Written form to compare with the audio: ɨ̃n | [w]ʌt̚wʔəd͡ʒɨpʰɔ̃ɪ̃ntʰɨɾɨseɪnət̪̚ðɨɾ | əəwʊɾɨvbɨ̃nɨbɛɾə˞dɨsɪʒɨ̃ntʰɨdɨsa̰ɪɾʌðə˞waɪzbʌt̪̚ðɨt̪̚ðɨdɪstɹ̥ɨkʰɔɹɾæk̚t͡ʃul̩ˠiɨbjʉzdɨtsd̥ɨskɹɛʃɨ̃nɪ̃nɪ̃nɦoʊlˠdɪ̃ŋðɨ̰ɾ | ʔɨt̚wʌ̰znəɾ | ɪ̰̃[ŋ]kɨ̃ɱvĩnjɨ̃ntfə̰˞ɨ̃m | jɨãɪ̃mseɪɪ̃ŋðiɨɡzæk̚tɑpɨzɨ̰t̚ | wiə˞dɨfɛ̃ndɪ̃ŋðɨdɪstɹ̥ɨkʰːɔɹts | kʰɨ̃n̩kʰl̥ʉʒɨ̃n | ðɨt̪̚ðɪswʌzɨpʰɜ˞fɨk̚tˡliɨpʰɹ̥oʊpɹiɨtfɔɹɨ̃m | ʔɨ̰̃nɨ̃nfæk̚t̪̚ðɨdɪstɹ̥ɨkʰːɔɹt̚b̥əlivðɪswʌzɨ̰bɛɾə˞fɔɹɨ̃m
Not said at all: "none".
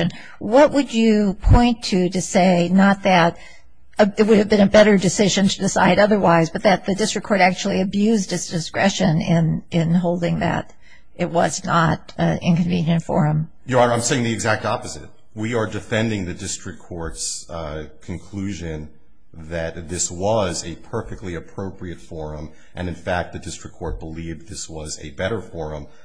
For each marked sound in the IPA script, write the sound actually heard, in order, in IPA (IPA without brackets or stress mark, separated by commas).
w, n